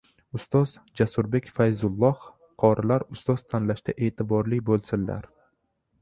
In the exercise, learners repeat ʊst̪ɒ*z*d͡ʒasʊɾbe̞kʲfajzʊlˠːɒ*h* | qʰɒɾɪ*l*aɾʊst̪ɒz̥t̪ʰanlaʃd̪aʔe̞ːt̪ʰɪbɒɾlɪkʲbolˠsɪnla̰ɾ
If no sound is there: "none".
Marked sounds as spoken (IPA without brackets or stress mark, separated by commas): z, h, l